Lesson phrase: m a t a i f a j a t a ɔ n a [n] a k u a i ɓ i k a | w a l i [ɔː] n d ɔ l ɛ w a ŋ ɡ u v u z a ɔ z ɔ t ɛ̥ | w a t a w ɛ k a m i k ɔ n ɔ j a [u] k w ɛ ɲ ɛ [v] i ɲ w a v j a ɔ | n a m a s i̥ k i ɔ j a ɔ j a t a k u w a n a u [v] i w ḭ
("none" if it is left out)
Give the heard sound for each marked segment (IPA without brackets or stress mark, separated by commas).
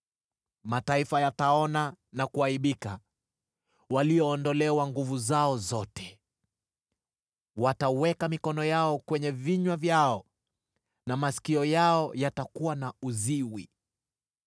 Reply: n, ɔː, ɔ, v, z